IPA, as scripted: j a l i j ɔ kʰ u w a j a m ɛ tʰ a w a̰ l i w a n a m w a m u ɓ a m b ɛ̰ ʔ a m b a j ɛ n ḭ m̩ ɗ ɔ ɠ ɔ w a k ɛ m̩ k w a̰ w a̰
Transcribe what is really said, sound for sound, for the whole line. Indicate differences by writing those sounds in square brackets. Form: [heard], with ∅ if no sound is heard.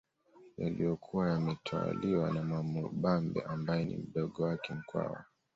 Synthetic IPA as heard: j a l i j ɔ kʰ u w a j a m ɛ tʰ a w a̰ l i w a n a m w a m u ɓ a m b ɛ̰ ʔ a m b a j ɛ n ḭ m̩ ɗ ɔ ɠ ɔ w a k ɛ m̩ k w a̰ w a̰